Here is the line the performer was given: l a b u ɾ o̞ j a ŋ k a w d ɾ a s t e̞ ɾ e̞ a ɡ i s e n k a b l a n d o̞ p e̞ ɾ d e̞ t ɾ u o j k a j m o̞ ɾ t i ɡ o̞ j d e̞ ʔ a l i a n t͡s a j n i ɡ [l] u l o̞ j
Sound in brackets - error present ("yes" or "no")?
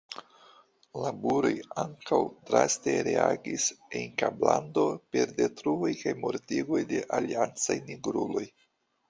yes